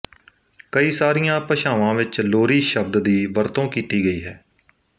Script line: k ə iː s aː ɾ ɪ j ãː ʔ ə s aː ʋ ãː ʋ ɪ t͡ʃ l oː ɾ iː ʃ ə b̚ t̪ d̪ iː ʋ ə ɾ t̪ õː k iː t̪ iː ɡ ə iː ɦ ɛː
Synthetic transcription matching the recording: k ə iː s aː ɾ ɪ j ãː p ə ʃ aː ʋ ãː ʋ ɪ t͡ʃ l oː ɾ iː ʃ ə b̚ d̪ d̪ iː ʋ ə ɾ t̪ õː k iː t̪ iː ɡ ə iː ɦ ɛː